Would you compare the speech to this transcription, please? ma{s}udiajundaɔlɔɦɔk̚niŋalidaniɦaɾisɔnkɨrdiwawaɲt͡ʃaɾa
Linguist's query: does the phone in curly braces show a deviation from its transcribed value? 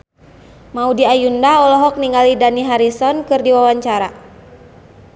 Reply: yes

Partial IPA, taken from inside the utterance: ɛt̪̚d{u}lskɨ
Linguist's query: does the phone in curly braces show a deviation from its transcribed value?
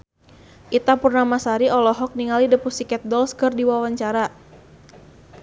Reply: yes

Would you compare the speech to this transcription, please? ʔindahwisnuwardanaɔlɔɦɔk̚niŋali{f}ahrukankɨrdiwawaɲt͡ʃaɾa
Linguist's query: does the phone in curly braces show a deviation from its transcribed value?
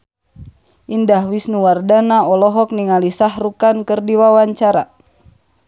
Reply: yes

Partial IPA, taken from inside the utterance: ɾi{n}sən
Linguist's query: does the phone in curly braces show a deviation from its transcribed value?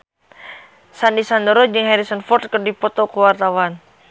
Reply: yes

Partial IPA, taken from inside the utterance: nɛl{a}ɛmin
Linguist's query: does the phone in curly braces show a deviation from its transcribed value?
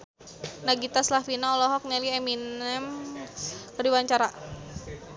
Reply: yes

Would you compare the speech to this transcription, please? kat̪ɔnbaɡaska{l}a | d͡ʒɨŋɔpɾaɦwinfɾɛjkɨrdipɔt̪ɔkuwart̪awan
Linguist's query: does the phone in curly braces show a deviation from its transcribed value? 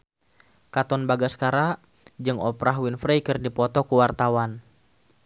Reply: yes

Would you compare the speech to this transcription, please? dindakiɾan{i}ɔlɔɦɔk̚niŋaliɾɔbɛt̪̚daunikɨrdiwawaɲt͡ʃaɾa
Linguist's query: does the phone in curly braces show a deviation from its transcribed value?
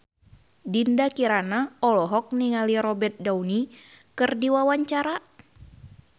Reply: yes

